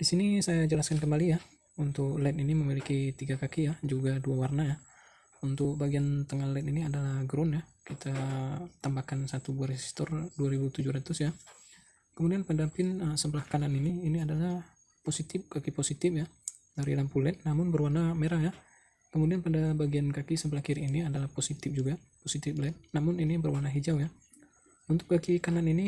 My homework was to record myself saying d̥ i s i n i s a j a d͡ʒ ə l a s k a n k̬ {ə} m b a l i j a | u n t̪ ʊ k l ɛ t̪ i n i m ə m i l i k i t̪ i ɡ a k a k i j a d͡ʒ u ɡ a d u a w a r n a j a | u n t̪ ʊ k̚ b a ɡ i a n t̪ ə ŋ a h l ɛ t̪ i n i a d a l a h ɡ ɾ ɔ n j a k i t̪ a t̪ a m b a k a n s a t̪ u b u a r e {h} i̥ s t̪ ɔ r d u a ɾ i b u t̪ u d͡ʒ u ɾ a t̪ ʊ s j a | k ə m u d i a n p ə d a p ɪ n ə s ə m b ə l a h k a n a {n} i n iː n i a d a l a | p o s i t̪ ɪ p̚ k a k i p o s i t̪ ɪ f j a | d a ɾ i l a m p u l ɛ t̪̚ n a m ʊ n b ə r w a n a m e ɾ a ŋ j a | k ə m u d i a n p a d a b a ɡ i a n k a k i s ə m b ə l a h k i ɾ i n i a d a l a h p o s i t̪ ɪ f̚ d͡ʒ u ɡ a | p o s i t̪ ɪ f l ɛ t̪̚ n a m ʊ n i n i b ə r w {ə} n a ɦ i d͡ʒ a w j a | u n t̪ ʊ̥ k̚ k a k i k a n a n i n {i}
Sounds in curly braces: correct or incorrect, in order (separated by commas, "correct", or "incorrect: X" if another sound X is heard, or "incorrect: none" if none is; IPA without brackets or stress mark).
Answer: correct, incorrect: s, correct, incorrect: a, correct